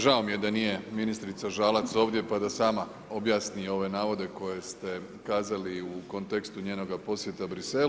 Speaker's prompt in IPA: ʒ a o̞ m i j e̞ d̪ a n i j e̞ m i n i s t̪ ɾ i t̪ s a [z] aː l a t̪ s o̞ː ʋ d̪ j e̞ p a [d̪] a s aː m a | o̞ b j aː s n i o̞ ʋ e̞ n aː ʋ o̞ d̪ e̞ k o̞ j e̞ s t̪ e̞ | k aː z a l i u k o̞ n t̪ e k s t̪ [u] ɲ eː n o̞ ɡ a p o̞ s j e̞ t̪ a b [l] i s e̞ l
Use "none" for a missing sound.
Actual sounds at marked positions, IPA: ʒ, d̪, u, ɾ

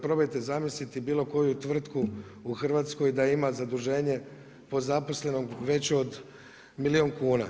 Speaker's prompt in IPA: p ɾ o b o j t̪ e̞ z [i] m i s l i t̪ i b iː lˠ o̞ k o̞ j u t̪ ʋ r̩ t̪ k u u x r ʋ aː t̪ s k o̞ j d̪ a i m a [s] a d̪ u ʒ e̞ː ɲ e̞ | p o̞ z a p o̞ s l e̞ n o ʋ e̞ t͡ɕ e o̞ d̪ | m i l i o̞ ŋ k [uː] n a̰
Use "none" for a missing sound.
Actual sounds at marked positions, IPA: a, z, uː

